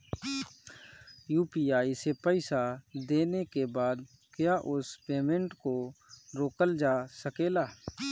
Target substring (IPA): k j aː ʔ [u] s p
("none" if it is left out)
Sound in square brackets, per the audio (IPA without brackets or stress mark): ʊ